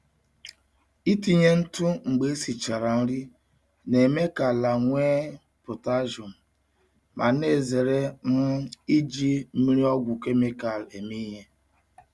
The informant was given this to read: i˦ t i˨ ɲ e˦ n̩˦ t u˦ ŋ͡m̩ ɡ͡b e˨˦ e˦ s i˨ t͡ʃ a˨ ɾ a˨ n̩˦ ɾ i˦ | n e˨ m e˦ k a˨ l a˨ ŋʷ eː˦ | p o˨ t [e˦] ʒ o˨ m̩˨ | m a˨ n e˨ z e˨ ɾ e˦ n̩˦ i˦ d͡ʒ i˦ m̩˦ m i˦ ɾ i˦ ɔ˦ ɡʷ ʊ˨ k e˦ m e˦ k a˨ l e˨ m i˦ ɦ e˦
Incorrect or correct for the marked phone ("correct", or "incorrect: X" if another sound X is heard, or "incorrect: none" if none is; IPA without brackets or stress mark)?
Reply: incorrect: a˦